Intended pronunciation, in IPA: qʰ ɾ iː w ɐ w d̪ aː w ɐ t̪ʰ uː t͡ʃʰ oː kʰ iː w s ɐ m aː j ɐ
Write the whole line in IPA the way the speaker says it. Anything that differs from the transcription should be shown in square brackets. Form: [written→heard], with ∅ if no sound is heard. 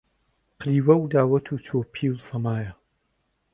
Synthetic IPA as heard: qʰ ɾ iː w ɐ w d̪ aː w ɐ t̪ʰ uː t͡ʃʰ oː [kʰ→pʰ] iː w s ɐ m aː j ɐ